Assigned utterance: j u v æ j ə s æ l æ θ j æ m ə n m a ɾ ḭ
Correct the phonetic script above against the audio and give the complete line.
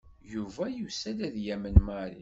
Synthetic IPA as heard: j u v æ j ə s æ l æ ð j æ m ə n m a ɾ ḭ